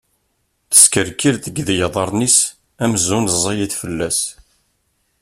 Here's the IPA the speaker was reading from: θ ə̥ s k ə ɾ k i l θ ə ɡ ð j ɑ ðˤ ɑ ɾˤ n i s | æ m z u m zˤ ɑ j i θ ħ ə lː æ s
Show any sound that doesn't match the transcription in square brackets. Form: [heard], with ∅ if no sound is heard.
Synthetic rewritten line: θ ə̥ s k ə ɾ k i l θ ə ɡ ð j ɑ ðˤ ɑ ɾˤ n i s | æ m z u [n] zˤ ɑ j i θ [f] ə lː æ s